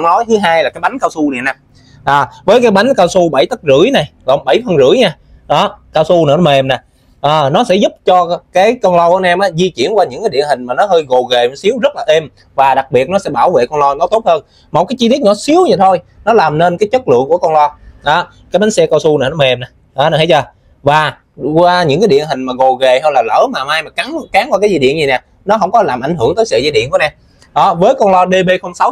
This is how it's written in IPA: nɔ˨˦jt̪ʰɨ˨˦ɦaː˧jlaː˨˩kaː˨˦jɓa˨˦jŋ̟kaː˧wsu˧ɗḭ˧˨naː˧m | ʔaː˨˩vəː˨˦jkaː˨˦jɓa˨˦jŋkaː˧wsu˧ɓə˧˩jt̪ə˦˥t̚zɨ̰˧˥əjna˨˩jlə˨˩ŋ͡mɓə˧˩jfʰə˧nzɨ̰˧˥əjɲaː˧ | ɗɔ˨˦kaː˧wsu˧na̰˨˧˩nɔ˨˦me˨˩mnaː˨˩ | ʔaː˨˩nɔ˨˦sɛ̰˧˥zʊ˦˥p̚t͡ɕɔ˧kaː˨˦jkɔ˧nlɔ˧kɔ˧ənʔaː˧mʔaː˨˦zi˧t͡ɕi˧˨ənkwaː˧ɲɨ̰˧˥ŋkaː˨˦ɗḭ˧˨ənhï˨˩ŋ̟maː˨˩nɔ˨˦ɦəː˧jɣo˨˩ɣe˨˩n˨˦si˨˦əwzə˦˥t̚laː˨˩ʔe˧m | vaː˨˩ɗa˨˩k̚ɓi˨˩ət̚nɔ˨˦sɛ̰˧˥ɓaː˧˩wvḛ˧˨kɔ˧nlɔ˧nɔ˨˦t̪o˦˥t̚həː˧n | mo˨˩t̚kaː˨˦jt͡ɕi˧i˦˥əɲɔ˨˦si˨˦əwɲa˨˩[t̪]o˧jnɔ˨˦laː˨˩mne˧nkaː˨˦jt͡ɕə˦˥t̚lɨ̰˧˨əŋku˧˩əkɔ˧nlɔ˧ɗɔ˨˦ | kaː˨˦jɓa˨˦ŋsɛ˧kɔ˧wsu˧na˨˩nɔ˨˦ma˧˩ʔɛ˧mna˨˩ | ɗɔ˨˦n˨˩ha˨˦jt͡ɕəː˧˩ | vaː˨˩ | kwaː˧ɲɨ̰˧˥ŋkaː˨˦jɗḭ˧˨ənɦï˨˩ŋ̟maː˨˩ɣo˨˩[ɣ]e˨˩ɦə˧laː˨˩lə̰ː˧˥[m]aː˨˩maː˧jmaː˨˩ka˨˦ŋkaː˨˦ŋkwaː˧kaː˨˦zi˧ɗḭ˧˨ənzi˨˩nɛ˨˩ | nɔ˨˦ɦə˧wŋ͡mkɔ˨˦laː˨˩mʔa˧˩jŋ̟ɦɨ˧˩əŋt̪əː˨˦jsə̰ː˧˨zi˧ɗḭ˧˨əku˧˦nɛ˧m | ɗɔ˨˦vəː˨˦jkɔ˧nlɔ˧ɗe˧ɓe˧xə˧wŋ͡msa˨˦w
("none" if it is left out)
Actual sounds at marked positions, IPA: t̪ʰ, ɣ, m

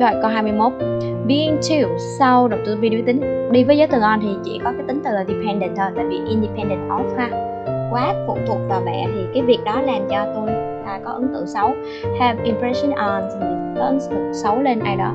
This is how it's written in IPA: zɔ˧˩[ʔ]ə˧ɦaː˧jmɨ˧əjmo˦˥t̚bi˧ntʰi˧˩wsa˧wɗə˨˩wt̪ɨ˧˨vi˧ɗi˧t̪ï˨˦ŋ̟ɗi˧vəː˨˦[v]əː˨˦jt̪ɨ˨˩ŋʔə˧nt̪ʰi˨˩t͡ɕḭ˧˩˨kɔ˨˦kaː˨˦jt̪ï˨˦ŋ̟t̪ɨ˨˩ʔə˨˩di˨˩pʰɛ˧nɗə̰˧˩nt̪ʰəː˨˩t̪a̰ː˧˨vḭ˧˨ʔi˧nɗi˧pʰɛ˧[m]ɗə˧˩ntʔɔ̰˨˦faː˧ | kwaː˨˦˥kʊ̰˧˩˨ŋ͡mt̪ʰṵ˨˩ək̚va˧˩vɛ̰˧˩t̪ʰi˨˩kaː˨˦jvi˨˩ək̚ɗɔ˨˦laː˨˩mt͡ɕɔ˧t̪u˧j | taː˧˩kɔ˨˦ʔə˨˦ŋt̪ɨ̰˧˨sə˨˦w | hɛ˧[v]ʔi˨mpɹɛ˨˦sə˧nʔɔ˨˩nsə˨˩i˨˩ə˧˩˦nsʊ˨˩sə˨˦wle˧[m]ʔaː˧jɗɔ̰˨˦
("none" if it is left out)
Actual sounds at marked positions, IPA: k, z, n, v, n

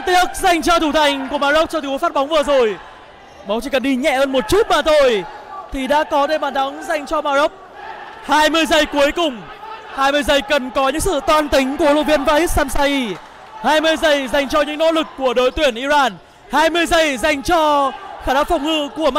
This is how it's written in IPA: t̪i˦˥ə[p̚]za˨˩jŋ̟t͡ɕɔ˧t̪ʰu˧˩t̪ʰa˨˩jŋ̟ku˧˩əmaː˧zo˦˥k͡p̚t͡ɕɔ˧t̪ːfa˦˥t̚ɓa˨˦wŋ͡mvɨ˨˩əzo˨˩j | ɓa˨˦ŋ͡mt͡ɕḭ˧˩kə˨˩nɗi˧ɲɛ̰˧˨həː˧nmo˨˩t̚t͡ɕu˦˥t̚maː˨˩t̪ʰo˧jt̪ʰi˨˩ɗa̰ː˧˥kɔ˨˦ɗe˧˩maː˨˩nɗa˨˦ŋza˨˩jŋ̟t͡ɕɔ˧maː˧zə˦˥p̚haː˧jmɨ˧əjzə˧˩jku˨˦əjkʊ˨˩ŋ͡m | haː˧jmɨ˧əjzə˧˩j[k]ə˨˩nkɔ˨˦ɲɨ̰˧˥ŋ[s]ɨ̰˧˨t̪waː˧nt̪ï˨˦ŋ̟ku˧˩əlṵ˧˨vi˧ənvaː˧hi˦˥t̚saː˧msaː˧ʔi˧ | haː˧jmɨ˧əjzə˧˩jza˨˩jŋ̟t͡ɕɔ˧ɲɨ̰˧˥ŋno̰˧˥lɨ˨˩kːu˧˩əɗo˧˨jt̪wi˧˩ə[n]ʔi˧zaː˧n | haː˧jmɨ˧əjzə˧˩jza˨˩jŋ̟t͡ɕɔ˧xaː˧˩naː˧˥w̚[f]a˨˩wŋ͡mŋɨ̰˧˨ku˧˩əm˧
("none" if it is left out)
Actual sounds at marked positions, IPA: k̚, k, s, n, f

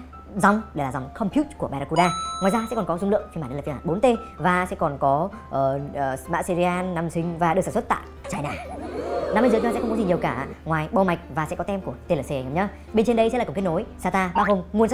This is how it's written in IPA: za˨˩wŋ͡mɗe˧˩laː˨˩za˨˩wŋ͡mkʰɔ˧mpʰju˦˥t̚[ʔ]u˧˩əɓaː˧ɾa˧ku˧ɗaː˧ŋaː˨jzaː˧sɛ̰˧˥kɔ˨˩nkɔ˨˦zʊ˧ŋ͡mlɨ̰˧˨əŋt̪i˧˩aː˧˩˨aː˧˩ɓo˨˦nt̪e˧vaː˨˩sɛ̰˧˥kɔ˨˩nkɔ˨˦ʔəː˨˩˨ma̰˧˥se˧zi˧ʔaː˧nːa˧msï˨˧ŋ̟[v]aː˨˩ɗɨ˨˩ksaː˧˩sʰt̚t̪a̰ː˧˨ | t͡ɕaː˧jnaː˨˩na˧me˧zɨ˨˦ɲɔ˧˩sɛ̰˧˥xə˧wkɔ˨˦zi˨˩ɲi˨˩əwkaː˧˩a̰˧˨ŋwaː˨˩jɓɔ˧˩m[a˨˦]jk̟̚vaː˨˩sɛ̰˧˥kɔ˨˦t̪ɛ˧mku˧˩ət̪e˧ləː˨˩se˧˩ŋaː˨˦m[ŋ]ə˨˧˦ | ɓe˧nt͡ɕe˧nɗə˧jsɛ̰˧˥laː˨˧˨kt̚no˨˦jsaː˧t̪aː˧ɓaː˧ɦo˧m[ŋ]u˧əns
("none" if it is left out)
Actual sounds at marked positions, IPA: k, v, a˨˩, ɲ, ŋ

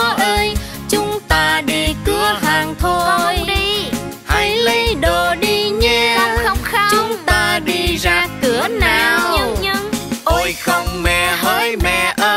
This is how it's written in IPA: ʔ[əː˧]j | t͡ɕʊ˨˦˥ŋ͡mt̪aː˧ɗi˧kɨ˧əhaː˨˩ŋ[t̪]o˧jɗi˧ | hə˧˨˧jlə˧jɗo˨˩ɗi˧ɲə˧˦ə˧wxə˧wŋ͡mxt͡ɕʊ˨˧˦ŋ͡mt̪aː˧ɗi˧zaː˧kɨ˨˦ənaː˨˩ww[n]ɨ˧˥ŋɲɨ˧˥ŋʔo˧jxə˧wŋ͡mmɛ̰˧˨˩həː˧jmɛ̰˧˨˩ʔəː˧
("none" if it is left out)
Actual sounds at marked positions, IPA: əː˧, t̪ʰ, ɲ

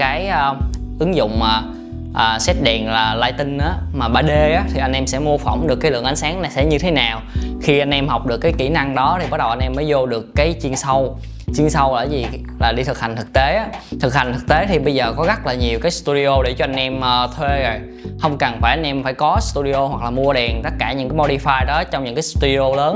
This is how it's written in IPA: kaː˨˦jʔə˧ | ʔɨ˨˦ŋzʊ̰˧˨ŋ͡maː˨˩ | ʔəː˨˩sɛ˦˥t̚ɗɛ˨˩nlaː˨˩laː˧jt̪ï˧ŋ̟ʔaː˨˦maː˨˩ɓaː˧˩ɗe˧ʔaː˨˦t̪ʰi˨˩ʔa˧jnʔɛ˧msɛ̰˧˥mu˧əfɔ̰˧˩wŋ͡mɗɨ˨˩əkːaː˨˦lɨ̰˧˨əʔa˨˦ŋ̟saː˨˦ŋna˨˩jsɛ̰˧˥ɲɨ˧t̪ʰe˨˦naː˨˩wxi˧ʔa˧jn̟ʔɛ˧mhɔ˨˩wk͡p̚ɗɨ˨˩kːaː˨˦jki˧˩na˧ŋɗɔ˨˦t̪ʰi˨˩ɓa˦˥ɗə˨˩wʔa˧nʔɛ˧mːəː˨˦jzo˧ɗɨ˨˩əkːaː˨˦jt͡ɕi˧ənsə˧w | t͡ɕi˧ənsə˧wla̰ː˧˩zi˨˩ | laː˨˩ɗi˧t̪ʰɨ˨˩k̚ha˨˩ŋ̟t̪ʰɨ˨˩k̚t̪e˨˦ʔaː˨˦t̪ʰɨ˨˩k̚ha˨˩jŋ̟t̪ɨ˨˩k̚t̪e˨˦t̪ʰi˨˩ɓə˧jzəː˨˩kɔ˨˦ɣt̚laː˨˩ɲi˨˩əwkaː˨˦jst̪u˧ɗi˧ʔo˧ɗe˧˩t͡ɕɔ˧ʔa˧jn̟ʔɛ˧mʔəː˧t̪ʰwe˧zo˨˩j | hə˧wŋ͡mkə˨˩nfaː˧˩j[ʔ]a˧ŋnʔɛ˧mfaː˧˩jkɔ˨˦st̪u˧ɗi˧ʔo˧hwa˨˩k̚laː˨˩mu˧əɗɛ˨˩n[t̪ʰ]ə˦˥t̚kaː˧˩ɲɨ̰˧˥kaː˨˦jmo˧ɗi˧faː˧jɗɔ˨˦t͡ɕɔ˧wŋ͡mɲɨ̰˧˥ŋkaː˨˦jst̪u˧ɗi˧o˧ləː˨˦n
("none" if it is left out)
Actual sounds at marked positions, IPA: ʔ, t̪

